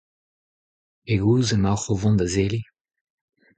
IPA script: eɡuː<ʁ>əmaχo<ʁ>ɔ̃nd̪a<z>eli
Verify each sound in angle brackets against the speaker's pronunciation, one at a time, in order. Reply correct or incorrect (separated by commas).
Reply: incorrect, incorrect, correct